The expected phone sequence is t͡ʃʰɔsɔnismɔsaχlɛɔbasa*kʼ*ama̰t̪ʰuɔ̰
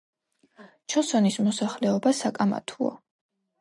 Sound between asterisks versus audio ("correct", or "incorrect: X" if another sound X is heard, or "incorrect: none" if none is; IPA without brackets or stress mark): correct